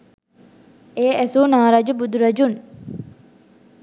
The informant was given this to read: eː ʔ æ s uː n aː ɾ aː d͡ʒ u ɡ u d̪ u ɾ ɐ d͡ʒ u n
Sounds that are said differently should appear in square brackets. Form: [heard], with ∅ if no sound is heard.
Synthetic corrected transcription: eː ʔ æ s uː n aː ɾ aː d͡ʒ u [b] u d̪ u ɾ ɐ d͡ʒ u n